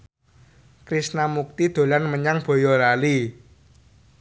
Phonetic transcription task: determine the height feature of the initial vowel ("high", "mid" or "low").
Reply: high